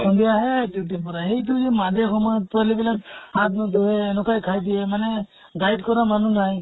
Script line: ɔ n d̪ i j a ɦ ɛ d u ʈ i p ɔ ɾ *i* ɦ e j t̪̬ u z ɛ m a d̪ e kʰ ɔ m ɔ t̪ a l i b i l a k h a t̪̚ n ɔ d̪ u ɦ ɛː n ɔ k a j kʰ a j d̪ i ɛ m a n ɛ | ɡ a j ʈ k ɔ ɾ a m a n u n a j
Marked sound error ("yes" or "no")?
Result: yes